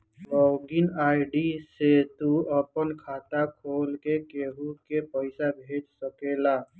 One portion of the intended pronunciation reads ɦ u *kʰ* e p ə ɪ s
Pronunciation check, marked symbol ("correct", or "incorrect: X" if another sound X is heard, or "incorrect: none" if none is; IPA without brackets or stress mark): incorrect: k